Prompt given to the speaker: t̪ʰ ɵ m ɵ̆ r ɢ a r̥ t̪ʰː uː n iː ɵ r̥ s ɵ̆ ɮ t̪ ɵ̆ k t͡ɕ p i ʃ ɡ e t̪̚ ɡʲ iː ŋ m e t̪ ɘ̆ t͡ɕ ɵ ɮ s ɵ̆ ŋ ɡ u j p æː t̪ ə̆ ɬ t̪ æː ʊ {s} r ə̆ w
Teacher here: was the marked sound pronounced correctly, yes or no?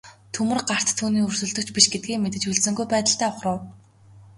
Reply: no